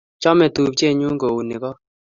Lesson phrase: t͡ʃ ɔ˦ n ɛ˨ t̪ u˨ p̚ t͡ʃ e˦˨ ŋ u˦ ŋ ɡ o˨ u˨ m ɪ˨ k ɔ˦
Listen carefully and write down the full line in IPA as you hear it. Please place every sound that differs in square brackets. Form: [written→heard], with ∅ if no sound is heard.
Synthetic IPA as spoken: t͡ʃ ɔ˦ [n→m] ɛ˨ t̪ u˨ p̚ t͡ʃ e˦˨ [ŋ→ɲ] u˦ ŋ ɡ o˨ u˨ [m→n] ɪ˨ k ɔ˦